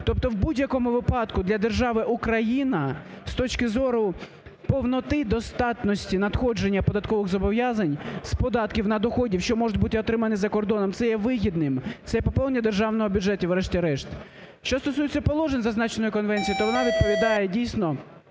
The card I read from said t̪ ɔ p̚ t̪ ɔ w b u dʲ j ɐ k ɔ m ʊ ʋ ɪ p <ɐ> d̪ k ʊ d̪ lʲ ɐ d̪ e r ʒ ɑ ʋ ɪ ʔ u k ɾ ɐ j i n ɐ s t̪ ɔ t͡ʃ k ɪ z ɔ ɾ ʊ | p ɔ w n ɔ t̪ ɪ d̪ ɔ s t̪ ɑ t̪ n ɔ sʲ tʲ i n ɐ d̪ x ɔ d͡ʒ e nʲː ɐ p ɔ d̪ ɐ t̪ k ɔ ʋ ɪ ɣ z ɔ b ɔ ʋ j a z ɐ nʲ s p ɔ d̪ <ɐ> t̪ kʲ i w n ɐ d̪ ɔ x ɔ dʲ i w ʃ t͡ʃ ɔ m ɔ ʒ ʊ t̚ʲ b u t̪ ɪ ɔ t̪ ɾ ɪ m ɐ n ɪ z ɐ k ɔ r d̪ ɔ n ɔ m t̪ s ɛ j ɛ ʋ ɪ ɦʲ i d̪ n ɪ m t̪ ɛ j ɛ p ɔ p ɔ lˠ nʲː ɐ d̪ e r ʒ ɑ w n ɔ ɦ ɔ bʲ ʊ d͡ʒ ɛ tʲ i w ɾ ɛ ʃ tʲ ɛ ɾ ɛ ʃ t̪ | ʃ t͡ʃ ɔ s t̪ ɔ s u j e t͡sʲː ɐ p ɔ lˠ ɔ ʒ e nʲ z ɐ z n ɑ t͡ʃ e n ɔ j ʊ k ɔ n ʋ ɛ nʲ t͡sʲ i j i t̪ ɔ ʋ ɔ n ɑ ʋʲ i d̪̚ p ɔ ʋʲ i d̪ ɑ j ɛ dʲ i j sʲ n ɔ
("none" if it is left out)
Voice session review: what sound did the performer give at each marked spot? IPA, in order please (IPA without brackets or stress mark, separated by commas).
ɑ, ɑ